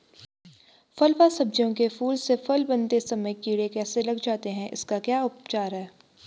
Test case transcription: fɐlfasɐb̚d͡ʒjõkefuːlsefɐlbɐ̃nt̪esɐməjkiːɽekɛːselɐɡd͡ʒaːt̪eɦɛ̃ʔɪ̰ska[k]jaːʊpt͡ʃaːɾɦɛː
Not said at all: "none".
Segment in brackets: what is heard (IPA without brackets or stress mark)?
k